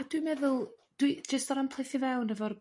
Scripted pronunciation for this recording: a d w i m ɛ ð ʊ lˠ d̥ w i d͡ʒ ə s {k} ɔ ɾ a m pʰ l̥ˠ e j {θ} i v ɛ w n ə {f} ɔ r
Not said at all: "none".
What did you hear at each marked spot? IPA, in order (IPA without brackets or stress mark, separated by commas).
t, θ, v